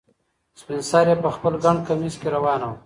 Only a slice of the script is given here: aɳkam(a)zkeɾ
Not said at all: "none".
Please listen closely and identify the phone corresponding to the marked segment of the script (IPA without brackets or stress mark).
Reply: i